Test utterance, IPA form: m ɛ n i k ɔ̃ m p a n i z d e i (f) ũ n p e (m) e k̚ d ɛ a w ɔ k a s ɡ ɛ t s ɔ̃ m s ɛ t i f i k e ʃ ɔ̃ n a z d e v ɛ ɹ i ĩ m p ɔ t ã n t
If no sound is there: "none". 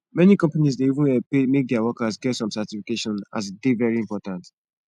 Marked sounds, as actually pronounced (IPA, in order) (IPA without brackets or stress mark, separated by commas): v, m